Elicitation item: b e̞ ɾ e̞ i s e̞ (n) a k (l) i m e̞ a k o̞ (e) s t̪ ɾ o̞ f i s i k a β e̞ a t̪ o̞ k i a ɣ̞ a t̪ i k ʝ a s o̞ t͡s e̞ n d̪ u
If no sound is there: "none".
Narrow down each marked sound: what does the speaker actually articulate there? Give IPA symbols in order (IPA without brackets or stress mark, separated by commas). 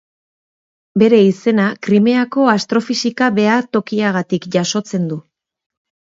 n, ɾ, a